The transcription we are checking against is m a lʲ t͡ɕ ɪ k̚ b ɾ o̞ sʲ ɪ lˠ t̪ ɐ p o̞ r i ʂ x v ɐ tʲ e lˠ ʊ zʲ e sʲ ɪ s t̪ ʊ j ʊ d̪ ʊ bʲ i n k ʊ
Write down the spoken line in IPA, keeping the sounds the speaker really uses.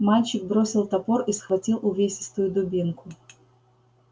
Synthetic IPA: m a lʲ t͡ɕ ɪ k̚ b ɾ o̞ sʲ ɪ lˠ t̪ ɐ p o̞ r i s x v ɐ tʲ i lˠ ʊ vʲ e sʲ ɪ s t̪ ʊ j ʊ d̪ ʊ bʲ i n k ʊ